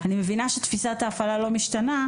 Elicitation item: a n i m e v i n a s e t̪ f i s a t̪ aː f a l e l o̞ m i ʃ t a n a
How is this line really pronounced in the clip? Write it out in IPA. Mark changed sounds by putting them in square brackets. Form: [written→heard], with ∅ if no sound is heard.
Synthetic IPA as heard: a n i m e v i n a [s→ʃ] e t̪ f i s a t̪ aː f a l [e→a] l o̞ m i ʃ t a n a

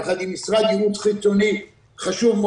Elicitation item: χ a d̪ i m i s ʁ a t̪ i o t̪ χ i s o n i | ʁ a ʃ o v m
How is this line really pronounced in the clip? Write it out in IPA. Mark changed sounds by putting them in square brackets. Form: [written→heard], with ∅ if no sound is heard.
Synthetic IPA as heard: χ a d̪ i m i s ʁ a [t̪→d̪] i [o→u] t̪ χ i [s→t͡s] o n i | [ʁ→χ] a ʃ [o→u] v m

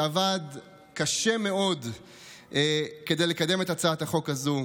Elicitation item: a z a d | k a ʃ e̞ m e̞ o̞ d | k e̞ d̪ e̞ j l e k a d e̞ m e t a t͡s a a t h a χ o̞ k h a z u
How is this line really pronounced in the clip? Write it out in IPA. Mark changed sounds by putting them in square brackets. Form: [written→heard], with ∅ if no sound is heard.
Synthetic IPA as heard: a [z→v] a d | k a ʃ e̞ m e̞ o̞ d | k e̞ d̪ e̞ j l e k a d e̞ m e t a t͡s a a t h a χ o̞ k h a z u

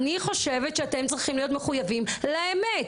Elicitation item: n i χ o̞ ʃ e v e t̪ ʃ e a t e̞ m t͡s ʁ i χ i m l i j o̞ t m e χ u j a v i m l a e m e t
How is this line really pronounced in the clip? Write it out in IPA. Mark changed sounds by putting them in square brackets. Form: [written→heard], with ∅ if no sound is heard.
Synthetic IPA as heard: n i χ o̞ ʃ e v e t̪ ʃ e a t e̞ m t͡s ʁ i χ i m l i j o̞ t m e χ u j a v i m l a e m e t

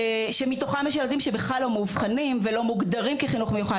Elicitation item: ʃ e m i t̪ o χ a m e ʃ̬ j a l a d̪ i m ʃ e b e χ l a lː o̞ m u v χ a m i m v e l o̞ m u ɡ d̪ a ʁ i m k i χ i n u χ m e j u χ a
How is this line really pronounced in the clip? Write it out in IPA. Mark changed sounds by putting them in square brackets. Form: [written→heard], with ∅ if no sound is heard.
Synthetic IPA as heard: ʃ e m i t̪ o χ a m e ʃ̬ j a l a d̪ i m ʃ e b e χ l a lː o̞ m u v χ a [m→n] i m v e l o̞ m u ɡ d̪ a ʁ i m k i χ i n u χ m e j u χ a

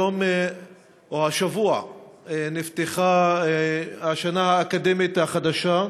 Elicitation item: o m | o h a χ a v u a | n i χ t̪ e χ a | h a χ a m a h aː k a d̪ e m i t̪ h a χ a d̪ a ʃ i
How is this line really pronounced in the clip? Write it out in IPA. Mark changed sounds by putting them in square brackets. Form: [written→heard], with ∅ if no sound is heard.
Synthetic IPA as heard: o m | o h a [χ→ʃ] a v u a | n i [χ→f] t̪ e χ a | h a [χ→ʃ] a [m→n] a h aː k a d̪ e m i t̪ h a χ a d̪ a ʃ [i→a]

